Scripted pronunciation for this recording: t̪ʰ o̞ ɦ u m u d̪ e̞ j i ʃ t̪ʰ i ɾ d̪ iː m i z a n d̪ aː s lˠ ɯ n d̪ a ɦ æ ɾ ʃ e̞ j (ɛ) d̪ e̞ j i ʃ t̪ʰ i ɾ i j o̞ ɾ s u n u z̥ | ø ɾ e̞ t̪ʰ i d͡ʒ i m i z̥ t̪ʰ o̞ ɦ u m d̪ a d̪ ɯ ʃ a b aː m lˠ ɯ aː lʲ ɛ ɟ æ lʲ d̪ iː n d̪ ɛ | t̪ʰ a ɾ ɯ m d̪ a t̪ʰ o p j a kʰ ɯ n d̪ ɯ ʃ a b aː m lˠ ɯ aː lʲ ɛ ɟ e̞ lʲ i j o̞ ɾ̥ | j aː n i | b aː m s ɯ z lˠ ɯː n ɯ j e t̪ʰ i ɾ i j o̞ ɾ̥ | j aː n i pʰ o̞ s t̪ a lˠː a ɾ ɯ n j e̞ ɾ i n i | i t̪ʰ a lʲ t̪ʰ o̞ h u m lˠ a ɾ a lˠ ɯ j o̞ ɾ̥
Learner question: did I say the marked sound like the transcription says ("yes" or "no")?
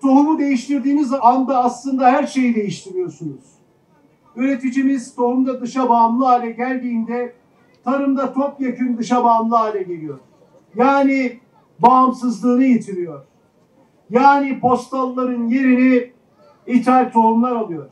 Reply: no